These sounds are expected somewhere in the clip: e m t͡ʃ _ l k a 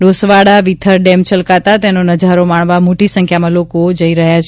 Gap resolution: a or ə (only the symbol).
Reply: ə